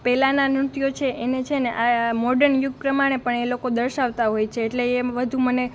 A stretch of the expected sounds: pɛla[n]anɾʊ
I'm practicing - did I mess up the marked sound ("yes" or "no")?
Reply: no